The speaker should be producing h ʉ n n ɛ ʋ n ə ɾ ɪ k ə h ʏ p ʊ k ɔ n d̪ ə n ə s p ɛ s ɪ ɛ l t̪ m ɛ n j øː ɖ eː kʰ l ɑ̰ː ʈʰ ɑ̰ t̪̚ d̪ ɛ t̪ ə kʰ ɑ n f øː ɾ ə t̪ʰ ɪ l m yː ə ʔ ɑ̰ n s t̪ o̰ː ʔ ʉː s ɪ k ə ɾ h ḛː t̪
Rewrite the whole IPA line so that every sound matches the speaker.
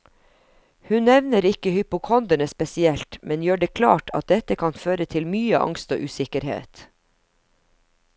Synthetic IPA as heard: h ʉ n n ɛ ʋ n ə ɾ ɪ k ə h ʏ p ʊ kʰ ɔ n d̪ ə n ə s p ɛ s ɪ ɛ l t̪ m ɛ n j øː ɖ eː kʰ l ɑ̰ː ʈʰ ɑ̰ t̪̚ d̪ ɛ t̪ ə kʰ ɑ n f øː ɾ ə t̪ʰ ɪ l m yː ə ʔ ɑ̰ ŋ s t̪ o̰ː ʔ ʉː s ɪ k ə ɾ h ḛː t̪